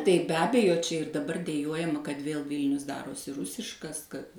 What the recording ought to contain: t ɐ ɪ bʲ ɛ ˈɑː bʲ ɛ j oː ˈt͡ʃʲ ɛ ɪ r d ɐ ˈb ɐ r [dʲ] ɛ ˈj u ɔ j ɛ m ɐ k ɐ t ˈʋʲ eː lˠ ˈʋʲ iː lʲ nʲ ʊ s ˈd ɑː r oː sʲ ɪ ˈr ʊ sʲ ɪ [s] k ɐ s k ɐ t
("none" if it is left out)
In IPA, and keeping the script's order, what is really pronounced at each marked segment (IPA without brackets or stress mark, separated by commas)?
dʲ, ʃ